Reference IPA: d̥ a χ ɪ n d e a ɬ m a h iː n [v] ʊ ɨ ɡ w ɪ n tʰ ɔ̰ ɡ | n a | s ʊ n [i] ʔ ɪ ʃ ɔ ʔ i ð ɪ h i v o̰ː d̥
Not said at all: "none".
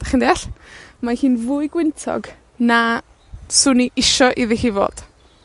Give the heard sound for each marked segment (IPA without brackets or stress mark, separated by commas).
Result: v, i